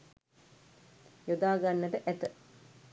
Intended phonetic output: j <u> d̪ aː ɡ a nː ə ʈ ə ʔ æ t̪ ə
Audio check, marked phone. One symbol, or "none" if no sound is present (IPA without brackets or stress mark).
o